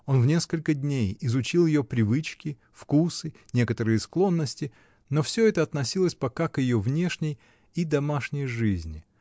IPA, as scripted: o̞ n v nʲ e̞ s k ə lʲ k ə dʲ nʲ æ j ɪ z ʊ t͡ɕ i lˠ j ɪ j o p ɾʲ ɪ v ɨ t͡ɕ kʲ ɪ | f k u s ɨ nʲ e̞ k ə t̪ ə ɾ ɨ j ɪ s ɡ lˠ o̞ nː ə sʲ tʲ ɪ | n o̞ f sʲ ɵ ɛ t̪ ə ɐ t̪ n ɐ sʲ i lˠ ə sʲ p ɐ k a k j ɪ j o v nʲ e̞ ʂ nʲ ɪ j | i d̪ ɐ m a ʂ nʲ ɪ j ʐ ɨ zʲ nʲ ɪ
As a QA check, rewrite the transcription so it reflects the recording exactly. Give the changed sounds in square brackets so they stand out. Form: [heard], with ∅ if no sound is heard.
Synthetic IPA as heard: o̞ n v nʲ e̞ s k ə lʲ k ə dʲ nʲ [e] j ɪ z ʊ t͡ɕ i lˠ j ɪ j o p ɾʲ ɪ v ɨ t͡ɕ kʲ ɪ | f k u s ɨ nʲ e̞ k ə t̪ ə ɾ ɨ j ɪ s [k] lˠ o̞ nː ə sʲ tʲ ɪ | n o̞ f sʲ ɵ ɛ t̪ ə ɐ t̪ n ɐ sʲ i lˠ ə sʲ p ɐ k a k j ɪ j o v nʲ e̞ ʂ nʲ ɪ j | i d̪ ɐ m a ʂ nʲ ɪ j ʐ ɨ zʲ nʲ ɪ